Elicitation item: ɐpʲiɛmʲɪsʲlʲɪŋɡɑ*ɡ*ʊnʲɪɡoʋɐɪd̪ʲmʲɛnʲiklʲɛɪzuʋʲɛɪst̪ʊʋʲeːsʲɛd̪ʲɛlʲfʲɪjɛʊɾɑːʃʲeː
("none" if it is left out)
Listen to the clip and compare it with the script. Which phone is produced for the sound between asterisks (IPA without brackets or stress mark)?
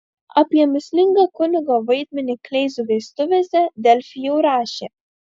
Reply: k